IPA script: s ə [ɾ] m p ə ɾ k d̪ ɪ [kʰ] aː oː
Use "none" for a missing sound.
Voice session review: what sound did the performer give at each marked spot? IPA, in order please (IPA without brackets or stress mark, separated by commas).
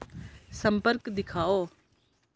none, kʰ